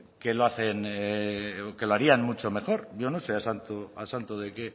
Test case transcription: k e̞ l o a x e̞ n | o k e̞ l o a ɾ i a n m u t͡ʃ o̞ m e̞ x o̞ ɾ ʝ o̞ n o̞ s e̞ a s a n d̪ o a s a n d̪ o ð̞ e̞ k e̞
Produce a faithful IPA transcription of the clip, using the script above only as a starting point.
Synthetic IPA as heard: k e̞ l o a θ e̞ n | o k e̞ l o a ɾ i a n m u t͡ʃ o̞ m e̞ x o̞ ɾ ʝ o̞ n o̞ s e̞ a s a n t̪ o a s a n t̪ o ð̞ e̞ k e̞